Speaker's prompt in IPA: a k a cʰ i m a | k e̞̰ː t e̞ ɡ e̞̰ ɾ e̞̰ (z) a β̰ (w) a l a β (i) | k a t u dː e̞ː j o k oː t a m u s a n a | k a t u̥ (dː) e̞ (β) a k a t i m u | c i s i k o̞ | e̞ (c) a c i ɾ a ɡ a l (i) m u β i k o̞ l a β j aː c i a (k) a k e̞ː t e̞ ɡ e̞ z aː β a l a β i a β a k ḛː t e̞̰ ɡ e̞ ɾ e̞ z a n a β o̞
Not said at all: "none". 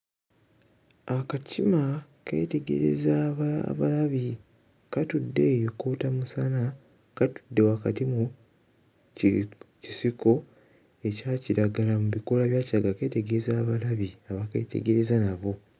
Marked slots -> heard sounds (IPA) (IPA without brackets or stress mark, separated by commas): z, β, i, dː, w, c, a, ɡ